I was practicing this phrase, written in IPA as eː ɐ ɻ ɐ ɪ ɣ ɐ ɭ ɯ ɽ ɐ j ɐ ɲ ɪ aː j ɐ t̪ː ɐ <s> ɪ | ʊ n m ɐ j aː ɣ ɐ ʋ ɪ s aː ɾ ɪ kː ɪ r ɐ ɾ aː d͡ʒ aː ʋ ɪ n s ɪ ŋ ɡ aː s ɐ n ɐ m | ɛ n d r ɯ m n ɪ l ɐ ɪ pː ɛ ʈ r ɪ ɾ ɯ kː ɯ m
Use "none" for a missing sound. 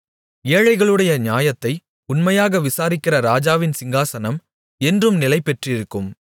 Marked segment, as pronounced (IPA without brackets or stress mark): none